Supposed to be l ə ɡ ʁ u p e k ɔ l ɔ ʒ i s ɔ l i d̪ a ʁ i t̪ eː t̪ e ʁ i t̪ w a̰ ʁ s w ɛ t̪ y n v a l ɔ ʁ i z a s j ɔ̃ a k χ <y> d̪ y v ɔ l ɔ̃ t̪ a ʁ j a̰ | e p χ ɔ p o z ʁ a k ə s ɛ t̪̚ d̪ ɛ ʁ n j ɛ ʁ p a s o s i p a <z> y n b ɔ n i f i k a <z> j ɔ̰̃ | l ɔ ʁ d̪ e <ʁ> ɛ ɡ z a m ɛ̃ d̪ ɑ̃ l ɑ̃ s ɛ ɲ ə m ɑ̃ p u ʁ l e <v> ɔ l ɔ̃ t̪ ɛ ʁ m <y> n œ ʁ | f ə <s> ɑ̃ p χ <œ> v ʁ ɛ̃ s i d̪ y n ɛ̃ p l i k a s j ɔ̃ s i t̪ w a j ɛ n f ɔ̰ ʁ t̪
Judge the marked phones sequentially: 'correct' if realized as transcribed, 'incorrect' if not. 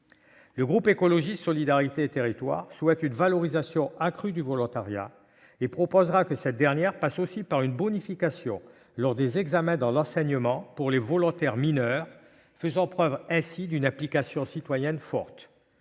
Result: correct, incorrect, incorrect, incorrect, correct, incorrect, incorrect, correct

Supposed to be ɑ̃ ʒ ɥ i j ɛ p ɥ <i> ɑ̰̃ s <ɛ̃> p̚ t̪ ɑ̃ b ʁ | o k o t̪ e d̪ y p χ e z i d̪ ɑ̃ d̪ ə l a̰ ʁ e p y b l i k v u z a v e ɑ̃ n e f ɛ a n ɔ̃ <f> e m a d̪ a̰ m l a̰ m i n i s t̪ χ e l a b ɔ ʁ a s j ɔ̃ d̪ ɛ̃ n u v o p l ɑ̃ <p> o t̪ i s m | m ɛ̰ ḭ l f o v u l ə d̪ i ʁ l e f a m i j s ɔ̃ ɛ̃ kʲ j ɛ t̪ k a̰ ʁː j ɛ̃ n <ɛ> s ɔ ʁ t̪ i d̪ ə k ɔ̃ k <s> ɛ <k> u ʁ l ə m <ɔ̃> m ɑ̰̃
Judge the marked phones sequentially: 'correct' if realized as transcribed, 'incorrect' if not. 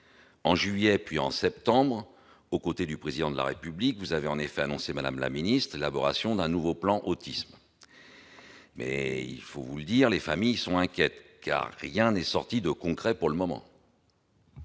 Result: correct, incorrect, incorrect, incorrect, correct, incorrect, incorrect, incorrect

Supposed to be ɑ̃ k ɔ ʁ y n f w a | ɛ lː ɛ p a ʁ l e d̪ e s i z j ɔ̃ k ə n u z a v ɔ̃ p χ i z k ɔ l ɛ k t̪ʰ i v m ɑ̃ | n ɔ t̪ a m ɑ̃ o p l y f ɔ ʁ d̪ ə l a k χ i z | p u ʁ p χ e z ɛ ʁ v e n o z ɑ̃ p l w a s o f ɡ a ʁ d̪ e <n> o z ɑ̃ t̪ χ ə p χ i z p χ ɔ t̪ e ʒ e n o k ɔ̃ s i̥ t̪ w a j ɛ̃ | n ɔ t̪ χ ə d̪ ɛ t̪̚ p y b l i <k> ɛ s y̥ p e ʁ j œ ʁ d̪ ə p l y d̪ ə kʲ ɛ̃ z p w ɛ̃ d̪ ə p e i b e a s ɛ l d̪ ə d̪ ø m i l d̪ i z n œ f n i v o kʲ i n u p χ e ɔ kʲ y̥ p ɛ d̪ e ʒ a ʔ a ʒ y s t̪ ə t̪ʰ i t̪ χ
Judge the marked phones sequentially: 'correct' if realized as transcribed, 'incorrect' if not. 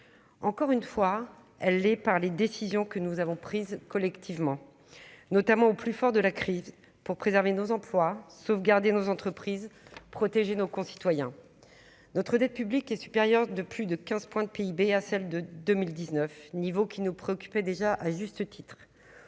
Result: correct, correct

